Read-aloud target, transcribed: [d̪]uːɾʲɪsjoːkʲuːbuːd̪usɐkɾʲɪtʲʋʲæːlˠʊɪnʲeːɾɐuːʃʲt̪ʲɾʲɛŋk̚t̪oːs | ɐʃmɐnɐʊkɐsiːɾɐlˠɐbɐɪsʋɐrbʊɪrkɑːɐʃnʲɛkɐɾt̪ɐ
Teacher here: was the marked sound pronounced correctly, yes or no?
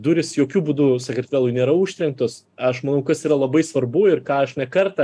yes